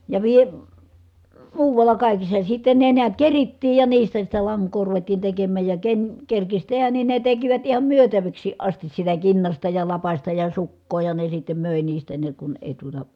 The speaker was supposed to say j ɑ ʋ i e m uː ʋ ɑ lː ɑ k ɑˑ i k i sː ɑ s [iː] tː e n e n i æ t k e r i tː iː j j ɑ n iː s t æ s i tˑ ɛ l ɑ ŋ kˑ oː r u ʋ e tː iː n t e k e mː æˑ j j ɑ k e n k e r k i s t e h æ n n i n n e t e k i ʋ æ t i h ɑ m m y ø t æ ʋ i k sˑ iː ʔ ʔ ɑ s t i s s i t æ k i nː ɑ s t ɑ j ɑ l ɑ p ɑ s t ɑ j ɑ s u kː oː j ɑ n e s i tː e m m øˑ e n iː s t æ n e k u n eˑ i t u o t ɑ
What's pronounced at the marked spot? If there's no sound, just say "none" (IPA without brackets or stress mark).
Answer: i